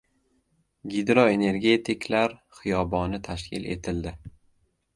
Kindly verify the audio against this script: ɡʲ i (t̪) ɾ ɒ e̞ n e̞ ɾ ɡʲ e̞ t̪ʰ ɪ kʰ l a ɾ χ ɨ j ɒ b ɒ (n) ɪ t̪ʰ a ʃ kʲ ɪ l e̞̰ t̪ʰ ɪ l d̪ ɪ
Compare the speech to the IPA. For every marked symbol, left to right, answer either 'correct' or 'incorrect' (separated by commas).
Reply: incorrect, correct